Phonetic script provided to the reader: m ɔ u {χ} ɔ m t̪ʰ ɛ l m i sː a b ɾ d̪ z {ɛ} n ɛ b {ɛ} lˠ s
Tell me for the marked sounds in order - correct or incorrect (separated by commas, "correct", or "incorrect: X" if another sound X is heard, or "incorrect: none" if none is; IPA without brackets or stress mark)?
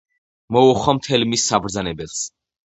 correct, incorrect: a, correct